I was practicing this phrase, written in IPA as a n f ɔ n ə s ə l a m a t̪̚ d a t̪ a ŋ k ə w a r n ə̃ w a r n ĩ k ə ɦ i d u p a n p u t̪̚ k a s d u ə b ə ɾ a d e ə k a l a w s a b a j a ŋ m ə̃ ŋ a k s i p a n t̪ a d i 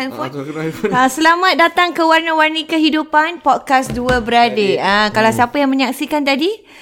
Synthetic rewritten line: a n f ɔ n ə s ə l a m a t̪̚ d a t̪ a ŋ k ə w a r n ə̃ w a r n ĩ k ə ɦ i d u p a n p ɔ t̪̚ k a s d u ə b ə ɾ a d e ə k a l a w s a p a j a ŋ m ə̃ ɲ a k s i k a n t̪ a d i